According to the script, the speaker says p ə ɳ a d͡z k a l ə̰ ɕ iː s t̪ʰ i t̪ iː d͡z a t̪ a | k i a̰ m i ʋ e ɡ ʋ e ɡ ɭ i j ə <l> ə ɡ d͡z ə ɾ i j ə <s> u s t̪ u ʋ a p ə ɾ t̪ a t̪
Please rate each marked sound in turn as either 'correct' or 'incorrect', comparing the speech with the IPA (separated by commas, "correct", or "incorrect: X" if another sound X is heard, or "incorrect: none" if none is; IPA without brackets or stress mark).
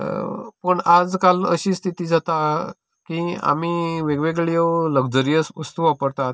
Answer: correct, correct